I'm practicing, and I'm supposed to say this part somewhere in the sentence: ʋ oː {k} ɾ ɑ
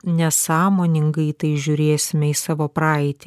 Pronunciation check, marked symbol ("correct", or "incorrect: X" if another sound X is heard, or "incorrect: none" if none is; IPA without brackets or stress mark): incorrect: p